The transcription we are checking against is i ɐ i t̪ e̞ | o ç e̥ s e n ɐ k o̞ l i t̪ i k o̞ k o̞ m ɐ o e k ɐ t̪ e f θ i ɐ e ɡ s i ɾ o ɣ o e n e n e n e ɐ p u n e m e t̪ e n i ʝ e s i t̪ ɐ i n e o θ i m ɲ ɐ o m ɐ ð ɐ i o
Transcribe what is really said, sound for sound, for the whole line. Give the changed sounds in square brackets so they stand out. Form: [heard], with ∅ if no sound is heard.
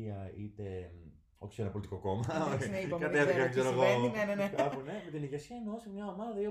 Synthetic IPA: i ɐ i t̪ e̞ | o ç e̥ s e n ɐ [p] o̞ l i t̪ i k o̞ k o̞ m ɐ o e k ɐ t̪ e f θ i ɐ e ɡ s [e] ɾ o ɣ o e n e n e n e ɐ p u n e m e t̪ [i] n i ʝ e s i [∅] ɐ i n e o [s] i m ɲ ɐ o m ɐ ð ɐ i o